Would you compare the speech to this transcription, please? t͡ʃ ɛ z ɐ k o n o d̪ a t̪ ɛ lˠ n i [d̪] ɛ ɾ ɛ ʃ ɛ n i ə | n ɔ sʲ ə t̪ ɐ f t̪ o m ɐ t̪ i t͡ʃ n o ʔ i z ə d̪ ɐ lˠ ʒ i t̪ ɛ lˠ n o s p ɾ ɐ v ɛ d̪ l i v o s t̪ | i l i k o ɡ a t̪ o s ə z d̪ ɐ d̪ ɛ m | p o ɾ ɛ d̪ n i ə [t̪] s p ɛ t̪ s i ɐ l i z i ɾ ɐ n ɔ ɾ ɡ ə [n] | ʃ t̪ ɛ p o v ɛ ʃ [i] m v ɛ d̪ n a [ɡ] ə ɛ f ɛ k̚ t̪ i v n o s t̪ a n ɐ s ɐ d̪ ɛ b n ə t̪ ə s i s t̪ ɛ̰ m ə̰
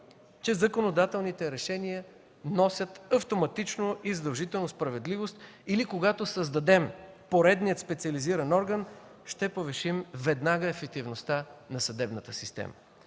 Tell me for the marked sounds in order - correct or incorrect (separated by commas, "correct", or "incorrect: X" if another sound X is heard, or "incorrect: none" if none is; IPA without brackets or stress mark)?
incorrect: t̪, correct, correct, correct, correct